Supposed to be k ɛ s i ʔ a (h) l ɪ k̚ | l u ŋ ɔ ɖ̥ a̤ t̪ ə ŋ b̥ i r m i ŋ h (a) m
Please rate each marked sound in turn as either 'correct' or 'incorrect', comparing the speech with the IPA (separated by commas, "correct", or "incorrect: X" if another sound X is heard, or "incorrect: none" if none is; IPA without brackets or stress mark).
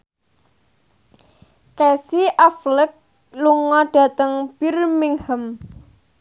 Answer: incorrect: f, incorrect: ə